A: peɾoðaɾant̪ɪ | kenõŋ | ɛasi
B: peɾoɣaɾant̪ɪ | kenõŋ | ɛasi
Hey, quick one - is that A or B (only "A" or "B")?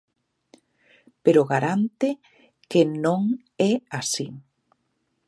B